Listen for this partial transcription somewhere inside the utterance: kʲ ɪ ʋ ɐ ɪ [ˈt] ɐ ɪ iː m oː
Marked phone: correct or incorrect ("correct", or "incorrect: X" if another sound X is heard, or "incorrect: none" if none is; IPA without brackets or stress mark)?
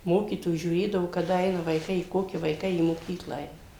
incorrect: k